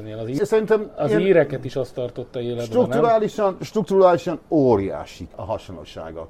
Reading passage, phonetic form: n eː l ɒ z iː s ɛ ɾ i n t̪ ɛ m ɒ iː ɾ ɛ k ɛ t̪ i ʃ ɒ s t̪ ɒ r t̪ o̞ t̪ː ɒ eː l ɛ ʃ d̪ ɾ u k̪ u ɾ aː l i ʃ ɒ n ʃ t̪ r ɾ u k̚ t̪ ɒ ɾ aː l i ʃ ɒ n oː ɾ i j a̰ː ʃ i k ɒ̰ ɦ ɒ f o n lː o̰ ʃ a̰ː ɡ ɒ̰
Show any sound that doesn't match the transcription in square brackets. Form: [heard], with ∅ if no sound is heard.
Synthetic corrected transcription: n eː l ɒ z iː s ɛ ɾ i n t̪ ɛ m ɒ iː ɾ ɛ k ɛ t̪ i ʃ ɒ s t̪ ɒ r t̪ o̞ t̪ː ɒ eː l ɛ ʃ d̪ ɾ u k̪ u ɾ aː l i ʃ ɒ n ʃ t̪ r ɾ u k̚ t̪ [u] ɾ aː l i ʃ ɒ n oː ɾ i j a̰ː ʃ i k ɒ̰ ɦ ɒ [ʃ] o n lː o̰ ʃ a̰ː ɡ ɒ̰